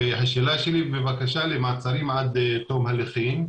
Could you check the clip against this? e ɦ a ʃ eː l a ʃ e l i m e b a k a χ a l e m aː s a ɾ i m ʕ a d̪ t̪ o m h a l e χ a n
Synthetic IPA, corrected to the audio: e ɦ a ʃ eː l a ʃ e l i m e v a k a ʃ a l e m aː t͡s a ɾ i m ʕ a d̪ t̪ o m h a l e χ i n